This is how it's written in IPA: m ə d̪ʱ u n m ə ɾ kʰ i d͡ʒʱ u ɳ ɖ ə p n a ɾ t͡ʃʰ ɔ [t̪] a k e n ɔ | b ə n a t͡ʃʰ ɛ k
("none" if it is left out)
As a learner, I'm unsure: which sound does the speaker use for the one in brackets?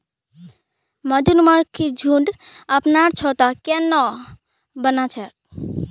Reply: t̪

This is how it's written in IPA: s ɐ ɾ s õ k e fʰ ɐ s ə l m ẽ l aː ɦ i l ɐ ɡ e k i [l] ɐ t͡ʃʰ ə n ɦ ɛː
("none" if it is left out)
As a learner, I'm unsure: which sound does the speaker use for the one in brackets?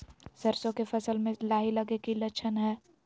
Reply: l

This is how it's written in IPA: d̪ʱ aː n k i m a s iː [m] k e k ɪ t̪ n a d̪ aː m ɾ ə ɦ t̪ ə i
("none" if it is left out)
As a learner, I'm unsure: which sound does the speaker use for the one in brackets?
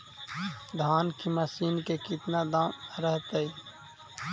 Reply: n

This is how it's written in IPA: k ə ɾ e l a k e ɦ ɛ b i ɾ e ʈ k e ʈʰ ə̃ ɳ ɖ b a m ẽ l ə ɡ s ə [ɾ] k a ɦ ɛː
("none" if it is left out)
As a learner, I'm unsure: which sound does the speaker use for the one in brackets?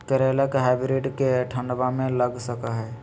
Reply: none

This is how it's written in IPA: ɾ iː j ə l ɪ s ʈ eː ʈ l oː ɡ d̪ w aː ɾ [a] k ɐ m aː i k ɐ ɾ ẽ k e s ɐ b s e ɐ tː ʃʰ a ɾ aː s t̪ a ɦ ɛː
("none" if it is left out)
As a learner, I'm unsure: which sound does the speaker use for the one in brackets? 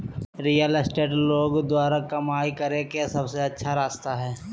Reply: a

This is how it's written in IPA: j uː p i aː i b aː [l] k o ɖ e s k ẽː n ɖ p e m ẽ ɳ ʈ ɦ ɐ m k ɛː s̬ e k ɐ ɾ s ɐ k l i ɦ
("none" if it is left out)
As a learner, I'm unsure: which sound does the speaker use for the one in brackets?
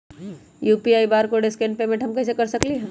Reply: ɾ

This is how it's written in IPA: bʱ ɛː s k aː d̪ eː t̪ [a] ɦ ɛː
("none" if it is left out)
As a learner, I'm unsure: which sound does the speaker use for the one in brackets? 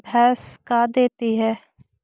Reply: i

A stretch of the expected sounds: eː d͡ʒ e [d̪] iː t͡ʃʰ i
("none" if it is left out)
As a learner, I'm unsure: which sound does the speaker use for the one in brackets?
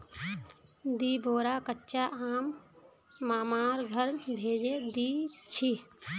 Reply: d̪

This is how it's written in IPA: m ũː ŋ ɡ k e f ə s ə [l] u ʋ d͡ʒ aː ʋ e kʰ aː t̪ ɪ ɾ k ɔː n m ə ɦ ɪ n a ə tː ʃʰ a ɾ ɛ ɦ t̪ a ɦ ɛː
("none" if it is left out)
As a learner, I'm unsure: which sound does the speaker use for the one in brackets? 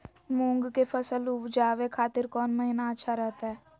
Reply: l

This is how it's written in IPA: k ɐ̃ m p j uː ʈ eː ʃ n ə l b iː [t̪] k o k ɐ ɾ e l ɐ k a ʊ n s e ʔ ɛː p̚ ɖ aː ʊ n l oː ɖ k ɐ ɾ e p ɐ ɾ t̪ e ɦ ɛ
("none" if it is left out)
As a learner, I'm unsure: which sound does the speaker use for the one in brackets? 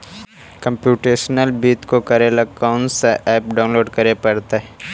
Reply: t̪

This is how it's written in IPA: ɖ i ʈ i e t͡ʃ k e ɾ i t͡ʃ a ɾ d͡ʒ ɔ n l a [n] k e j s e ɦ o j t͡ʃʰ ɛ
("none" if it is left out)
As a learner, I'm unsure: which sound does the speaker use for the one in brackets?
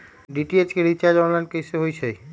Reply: n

